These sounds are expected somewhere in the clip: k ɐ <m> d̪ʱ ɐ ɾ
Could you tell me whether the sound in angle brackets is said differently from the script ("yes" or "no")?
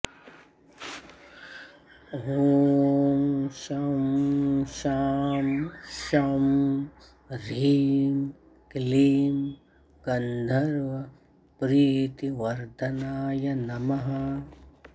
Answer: yes